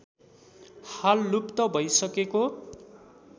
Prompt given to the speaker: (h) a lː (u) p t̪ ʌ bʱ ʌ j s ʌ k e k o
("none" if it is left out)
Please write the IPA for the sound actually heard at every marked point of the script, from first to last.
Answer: h, u

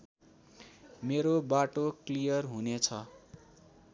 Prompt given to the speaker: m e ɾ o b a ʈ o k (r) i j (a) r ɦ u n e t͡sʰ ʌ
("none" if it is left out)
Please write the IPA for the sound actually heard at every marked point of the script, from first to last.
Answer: l, ʌ

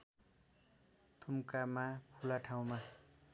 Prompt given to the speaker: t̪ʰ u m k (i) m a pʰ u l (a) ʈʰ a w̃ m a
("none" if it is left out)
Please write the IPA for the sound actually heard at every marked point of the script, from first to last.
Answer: a, a

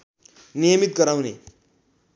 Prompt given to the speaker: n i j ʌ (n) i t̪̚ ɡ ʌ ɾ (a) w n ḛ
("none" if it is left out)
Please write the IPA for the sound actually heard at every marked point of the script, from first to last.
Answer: m, a

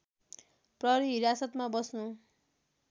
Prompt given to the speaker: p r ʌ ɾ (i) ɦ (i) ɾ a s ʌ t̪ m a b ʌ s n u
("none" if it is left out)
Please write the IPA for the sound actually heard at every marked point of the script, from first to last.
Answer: i, i

